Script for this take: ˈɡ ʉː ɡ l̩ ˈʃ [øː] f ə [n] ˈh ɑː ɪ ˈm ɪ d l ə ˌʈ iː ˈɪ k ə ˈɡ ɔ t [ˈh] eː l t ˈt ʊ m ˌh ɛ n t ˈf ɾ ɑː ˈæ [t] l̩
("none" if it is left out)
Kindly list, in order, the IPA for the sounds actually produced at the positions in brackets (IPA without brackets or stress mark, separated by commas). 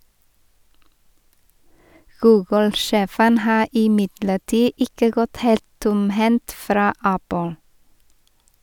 eː, n, h, p